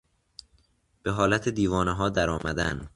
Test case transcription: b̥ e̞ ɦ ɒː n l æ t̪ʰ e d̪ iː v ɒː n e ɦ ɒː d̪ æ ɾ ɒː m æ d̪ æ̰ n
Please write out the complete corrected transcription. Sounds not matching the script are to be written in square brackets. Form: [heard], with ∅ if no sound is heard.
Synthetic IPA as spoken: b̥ e̞ ɦ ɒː [∅] l æ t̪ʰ e d̪ iː v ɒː n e ɦ ɒː d̪ æ ɾ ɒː m æ d̪ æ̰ n

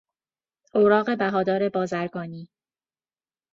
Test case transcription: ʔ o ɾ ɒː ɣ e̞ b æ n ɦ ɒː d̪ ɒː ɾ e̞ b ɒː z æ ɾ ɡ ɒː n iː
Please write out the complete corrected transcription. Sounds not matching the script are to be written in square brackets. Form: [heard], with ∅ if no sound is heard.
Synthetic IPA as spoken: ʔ o ɾ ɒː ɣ e̞ b æ [∅] ɦ ɒː d̪ ɒː ɾ e̞ b ɒː z æ ɾ ɡ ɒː n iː

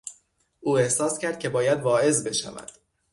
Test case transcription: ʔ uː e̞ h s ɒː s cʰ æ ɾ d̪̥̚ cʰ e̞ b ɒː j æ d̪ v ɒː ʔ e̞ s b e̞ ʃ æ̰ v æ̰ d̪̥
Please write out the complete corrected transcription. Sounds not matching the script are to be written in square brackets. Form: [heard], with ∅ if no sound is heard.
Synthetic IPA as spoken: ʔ uː e̞ h s ɒː s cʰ æ ɾ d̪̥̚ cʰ e̞ b ɒː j æ d̪ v ɒː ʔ e̞ [z] b e̞ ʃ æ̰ v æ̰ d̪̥

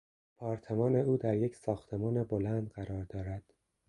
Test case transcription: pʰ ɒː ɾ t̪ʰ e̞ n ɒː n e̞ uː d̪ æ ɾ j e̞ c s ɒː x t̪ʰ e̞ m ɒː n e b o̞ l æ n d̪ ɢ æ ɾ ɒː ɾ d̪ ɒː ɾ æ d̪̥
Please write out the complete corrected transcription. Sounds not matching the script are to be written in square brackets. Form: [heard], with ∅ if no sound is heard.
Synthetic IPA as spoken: pʰ ɒː ɾ t̪ʰ e̞ [m] ɒː n e̞ uː d̪ æ ɾ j e̞ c s ɒː x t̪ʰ e̞ m ɒː n e b o̞ l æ n d̪ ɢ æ ɾ ɒː ɾ d̪ ɒː ɾ æ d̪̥

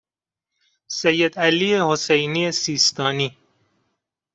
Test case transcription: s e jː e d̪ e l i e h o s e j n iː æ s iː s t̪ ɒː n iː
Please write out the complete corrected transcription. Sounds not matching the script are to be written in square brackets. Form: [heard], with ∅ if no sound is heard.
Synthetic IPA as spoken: s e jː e d̪ [æ] l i e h o s e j n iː [e] s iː s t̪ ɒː n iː

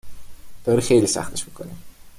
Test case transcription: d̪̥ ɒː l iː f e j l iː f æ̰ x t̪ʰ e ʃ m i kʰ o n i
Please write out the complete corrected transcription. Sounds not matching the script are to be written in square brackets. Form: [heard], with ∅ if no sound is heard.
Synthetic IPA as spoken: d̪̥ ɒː [ɾ] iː [x] e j l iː [s] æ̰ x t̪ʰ e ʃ m i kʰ o n i

